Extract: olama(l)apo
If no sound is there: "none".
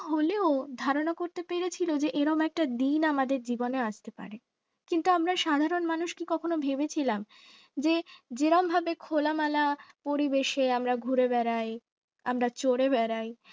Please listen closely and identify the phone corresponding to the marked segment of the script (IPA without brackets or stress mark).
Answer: l